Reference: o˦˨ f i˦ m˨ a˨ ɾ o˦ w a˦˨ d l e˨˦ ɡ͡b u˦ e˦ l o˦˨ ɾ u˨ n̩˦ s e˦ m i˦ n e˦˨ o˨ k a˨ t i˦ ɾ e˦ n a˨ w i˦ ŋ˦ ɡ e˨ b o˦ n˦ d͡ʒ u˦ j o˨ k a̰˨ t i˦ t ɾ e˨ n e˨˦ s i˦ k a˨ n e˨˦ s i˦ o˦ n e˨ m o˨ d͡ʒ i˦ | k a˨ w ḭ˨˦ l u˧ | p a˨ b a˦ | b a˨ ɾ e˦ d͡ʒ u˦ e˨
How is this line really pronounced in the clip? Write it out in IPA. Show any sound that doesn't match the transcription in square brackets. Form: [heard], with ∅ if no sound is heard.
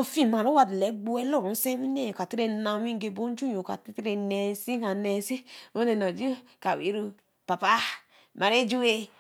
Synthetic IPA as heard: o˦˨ f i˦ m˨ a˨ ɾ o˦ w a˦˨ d l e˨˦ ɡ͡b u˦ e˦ l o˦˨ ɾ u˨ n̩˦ s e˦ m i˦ n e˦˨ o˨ k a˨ t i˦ ɾ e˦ n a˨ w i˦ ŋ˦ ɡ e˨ b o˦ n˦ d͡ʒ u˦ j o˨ k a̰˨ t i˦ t ɾ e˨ n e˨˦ s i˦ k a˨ n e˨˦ s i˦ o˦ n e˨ [n] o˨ d͡ʒ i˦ | k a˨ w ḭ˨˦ [ɾ] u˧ | p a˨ [p] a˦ | [m] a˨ ɾ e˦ d͡ʒ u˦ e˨